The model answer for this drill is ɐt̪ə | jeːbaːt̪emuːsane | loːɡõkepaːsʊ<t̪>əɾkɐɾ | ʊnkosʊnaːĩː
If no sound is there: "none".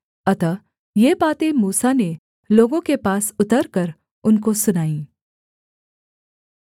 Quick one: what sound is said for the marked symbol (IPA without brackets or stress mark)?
t̪